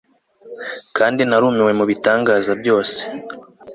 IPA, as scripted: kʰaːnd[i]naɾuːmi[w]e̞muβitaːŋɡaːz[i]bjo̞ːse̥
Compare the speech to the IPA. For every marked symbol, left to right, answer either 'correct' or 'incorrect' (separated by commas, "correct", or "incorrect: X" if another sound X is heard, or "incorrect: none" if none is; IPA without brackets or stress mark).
correct, correct, incorrect: a